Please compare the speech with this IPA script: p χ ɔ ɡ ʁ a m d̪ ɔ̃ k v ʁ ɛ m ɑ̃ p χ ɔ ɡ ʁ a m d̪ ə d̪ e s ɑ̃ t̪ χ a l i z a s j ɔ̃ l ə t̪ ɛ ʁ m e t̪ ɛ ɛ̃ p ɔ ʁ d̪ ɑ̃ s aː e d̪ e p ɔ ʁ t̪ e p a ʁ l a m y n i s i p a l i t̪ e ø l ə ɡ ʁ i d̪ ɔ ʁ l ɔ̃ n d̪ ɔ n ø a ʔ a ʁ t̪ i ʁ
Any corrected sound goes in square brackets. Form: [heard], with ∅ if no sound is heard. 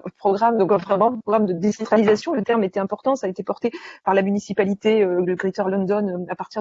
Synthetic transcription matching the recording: p χ ɔ ɡ ʁ a m d̪ ɔ̃ k v ʁ ɛ m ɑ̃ p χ ɔ ɡ ʁ a m d̪ ə d̪ e s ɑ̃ t̪ χ a l i z a s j ɔ̃ l ə t̪ ɛ ʁ m e t̪ ɛ ɛ̃ p ɔ ʁ [t̪] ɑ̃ s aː e [t̪] e p ɔ ʁ t̪ e p a ʁ l a m y n i s i p a l i t̪ e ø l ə ɡ ʁ i [t̪] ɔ ʁ l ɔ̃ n d̪ ɔ n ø a [p] a ʁ t̪ i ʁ

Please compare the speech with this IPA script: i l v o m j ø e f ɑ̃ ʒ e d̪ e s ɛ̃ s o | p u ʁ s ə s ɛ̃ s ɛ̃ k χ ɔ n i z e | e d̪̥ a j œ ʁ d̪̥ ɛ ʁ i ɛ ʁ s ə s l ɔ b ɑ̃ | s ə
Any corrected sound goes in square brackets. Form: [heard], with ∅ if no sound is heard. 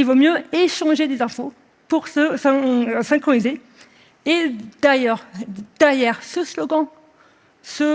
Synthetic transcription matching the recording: i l v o m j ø e [ʃ] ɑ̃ ʒ e d̪ e [z] ɛ̃ [f] o | p u ʁ s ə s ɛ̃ s ɛ̃ k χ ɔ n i z e | e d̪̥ a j œ ʁ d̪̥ ɛ ʁ [j] ɛ ʁ s ə s l ɔ [ɡ] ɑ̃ | s ə

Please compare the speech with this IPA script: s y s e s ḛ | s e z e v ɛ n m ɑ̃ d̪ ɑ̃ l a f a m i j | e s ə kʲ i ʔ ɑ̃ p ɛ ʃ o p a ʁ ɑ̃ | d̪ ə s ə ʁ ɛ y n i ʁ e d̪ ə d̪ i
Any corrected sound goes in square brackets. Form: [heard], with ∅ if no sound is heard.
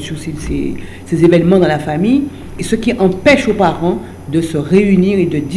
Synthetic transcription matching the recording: s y s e s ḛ | s e z e v ɛ n m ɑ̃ d̪ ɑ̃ l a f a m i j | e s ə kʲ i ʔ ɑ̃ p ɛ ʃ o p a ʁ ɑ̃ | d̪ ə s ə ʁ [e] y n i ʁ e d̪ ə d̪ i

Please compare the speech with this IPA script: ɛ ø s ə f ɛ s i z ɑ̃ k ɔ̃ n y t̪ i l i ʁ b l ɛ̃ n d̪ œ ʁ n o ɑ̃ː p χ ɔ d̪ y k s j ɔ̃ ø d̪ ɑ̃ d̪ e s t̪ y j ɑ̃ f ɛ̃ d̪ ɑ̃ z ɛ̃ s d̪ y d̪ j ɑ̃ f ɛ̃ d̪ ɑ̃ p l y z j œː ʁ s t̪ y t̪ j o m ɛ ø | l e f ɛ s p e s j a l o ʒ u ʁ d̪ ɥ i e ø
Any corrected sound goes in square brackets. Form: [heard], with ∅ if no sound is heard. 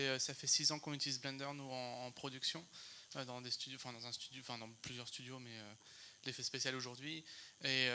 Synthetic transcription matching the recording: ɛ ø s [a] f ɛ s i z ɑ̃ k ɔ̃ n y t̪ i l i [z] b l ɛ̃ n d̪ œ ʁ n [u] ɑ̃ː p χ ɔ d̪ y k s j ɔ̃ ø d̪ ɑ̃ d̪ e s t̪ y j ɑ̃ f ɛ̃ d̪ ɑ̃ z ɛ̃ s [t̪] y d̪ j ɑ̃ f ɛ̃ d̪ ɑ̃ p l y z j [œ] ʁ s t̪ y [d̪] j o m ɛ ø | l e f ɛ s p e s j a l o ʒ u ʁ d̪ ɥ i e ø

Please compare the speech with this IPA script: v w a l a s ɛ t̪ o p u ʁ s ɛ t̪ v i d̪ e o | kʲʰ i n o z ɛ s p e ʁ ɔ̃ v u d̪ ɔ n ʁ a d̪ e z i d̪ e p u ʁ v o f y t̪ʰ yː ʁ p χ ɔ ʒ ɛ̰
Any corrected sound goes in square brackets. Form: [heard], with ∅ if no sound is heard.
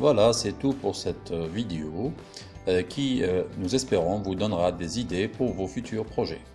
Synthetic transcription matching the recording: v w a l a s ɛ t̪ [u] p u ʁ s ɛ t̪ v i d̪ e o | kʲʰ i n [u] z ɛ s p e ʁ ɔ̃ v u d̪ ɔ n ʁ a d̪ e z i d̪ e p u ʁ v o f y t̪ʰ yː ʁ p χ ɔ ʒ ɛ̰

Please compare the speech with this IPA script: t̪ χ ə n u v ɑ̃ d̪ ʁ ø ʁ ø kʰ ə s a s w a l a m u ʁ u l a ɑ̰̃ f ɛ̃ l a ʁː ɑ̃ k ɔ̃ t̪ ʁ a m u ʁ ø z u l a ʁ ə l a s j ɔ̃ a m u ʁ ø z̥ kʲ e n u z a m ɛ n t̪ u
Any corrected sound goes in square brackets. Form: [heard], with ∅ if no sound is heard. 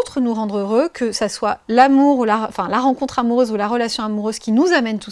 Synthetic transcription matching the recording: t̪ χ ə n u [ʁ] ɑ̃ d̪ ʁ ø ʁ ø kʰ ə s a s w a l a m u ʁ u l a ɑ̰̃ f ɛ̃ l a [ʁ] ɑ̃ k ɔ̃ t̪ [χ] a m u ʁ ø z u l a ʁ ə l a s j ɔ̃ a m u ʁ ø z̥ kʲ [i] n u z a m ɛ n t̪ u

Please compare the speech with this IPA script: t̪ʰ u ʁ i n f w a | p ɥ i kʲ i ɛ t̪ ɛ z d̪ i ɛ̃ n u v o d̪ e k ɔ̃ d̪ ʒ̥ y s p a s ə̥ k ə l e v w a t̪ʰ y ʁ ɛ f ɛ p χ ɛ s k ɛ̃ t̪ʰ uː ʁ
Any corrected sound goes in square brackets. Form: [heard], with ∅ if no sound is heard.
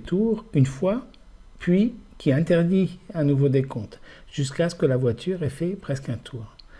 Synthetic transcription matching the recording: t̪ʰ u ʁ [y] n f w a | p ɥ i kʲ i [ɛ̃] t̪ ɛ [ʁ] d̪ i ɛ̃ n u v o d̪ e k ɔ̃ [t̪] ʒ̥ y s [k] a s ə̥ k ə l [a] v w a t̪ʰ y ʁ ɛ f ɛ p χ ɛ s k ɛ̃ t̪ʰ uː ʁ

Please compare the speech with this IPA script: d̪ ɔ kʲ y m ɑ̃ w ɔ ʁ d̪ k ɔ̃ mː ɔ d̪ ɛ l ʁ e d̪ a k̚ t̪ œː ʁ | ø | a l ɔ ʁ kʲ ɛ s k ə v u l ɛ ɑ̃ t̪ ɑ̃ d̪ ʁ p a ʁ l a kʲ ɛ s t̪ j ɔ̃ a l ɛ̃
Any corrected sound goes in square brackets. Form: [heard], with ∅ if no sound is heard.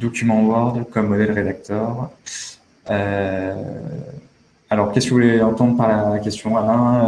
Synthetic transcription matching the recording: d̪ ɔ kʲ y m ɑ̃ w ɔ ʁ d̪ k [ɔ] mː ɔ d̪ ɛ l ʁ e d̪ a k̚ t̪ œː ʁ | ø | a l ɔ ʁ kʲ ɛ s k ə v u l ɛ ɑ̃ t̪ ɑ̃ d̪ ʁ p a ʁ l a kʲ ɛ s t̪ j ɔ̃ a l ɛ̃

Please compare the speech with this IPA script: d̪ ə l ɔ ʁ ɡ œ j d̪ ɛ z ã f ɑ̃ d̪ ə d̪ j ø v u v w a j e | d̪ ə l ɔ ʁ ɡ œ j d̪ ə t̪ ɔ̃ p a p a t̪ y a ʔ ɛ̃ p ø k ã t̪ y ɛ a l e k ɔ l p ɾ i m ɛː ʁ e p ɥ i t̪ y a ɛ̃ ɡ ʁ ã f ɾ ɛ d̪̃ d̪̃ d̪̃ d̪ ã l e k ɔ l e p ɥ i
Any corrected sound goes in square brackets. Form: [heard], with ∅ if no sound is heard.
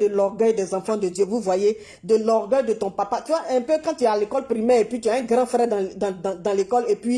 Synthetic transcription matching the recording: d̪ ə l ɔ ʁ ɡ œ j d̪ ɛ z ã f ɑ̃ d̪ ə d̪ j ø v u v w a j e | d̪ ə l ɔ ʁ ɡ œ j d̪ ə t̪ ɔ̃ p a p a t̪ y a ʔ ɛ̃ p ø k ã t̪ y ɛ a l e k ɔ l p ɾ i m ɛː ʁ e p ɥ i t̪ y a ɛ̃ ɡ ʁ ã f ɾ ɛ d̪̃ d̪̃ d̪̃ d̪ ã l e k ɔ l e p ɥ i

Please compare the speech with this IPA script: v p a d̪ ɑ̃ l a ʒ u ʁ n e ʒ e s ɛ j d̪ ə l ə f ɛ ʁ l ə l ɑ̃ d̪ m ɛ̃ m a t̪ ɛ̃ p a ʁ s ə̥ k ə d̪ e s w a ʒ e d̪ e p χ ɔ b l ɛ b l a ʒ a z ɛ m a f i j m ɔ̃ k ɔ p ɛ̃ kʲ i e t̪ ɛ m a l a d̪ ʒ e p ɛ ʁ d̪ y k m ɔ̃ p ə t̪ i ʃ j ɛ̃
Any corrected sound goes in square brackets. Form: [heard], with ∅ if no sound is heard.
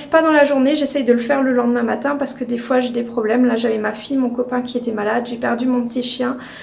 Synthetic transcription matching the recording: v p a d̪ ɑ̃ l a ʒ u ʁ n e ʒ e s ɛ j d̪ ə l ə f ɛ ʁ l ə l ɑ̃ d̪ m ɛ̃ m a t̪ ɛ̃ p a ʁ s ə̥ k ə d̪ e [f] w a ʒ e d̪ e p χ ɔ b l ɛ [m] l a ʒ a [v] ɛ m a f i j m ɔ̃ k ɔ p ɛ̃ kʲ i e t̪ ɛ m a l a d̪ ʒ e p ɛ ʁ d̪ y [∅] m ɔ̃ p ə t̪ i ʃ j ɛ̃

